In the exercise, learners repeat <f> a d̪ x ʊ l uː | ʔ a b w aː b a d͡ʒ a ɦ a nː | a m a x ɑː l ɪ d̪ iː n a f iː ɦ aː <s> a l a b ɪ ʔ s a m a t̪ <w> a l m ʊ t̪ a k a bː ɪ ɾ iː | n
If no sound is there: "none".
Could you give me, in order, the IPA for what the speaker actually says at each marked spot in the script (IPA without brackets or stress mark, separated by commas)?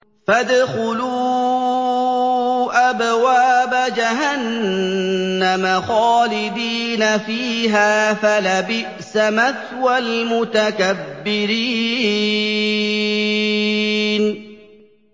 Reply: f, f, w